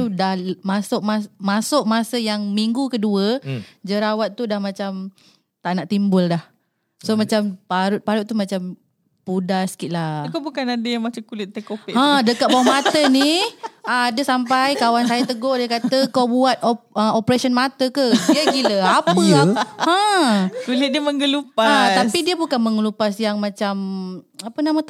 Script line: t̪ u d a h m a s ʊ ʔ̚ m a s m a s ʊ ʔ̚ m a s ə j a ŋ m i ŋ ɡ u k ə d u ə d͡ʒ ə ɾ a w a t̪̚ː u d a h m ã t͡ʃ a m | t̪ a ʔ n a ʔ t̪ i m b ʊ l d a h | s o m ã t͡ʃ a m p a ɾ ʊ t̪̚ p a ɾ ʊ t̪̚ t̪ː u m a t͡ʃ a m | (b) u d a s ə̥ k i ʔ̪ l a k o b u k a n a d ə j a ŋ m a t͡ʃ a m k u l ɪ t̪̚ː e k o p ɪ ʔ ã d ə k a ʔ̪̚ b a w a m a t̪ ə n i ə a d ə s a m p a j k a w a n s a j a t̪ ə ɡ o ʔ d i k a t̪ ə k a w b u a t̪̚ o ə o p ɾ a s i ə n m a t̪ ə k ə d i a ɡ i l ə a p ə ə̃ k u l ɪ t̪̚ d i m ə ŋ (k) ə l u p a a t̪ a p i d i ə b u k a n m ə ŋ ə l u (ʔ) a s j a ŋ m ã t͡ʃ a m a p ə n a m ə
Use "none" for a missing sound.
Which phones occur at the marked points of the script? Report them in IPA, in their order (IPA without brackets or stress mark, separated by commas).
p, ɡ, p